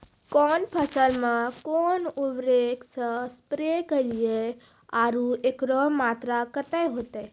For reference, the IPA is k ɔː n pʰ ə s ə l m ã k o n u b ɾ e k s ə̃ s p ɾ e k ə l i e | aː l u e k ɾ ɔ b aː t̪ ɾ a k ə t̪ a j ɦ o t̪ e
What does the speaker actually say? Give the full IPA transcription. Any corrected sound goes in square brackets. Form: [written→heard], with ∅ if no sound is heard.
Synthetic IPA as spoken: k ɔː n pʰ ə s ə l m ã k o n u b ɾ e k s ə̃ s p ɾ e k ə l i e | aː [l→ɾ] u e k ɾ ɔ [b→m] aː t̪ ɾ a k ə t̪ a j ɦ o t̪ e